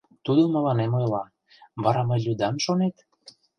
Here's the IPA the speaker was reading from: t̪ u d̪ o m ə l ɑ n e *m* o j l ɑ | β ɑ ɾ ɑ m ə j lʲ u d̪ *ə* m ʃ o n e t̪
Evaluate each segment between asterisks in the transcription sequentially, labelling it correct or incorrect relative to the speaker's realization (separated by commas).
correct, incorrect